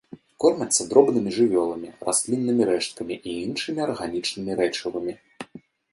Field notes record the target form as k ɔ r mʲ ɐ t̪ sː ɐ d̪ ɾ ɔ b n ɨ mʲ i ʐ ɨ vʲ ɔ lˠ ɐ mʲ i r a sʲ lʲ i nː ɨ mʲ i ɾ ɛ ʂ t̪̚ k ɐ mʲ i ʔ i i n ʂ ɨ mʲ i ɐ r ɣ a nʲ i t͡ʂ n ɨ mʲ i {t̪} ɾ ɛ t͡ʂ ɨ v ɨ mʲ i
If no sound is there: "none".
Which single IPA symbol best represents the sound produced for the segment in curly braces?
none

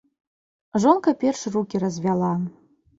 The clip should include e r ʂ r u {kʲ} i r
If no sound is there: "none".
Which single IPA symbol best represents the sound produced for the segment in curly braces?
kʲ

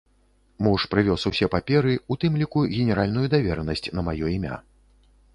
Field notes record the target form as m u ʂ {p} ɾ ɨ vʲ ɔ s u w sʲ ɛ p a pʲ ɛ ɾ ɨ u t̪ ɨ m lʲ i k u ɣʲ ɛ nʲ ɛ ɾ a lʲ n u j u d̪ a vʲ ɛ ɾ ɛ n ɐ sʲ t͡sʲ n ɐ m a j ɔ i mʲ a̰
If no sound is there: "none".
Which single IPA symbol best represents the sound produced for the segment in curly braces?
p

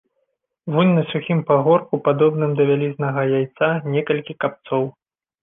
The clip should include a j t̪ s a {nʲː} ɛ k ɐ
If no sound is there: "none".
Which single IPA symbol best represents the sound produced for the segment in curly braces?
nʲ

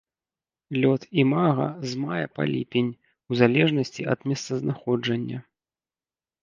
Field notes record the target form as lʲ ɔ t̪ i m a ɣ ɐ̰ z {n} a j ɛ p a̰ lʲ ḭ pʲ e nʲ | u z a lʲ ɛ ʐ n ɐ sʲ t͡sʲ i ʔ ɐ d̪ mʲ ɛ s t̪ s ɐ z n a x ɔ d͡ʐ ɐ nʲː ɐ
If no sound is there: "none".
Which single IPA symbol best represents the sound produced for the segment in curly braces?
m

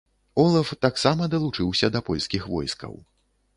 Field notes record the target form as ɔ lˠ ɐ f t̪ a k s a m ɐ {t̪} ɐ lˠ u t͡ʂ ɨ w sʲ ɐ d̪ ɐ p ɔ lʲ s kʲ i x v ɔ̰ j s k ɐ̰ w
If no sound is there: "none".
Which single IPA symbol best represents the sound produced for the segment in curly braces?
d̪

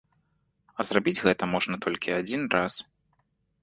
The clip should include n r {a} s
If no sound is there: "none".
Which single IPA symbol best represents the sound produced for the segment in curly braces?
a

